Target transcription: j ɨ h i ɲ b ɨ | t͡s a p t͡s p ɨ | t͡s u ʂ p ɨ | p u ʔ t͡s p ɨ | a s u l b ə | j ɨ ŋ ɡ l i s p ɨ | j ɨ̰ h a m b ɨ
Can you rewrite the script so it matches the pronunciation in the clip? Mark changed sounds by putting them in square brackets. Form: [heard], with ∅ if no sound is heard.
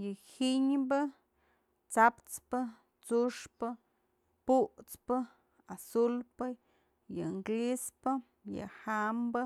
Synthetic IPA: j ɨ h i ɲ b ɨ | t͡s a p t͡s p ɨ | t͡s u ʂ p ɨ | p u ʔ t͡s p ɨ | a s u l [p] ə | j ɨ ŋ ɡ l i s p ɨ | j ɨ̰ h a m b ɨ